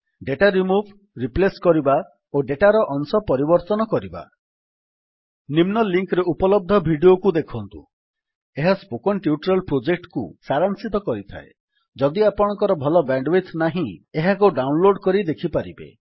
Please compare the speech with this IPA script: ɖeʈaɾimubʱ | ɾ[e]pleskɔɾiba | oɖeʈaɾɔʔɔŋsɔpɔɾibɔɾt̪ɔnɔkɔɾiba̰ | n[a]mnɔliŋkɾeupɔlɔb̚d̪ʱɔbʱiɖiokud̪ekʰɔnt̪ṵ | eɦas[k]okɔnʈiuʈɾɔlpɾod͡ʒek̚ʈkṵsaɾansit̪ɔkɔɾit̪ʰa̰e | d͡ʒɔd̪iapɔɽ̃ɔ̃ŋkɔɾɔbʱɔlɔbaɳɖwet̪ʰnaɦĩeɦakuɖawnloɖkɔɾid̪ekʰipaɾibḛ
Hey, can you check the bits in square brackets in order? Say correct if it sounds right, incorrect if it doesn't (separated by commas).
incorrect, incorrect, incorrect